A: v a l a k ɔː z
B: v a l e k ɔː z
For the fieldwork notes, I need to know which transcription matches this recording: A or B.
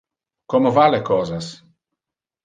B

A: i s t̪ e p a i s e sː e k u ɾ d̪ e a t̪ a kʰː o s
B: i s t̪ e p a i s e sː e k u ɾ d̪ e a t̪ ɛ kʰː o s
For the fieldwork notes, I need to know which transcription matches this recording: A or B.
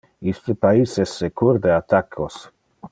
A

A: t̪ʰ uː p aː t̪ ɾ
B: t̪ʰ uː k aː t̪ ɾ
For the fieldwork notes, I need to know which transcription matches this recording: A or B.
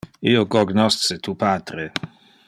A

